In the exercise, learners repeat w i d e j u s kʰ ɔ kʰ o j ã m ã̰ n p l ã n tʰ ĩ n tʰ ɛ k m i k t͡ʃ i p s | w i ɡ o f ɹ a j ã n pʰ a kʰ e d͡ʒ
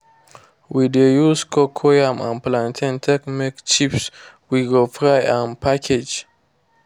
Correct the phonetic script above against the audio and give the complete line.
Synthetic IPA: w i d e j u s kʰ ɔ kʰ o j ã m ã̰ n p l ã n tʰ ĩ n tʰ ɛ k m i k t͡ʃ i p s | w i ɡ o f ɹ a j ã n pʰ a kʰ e d͡ʒ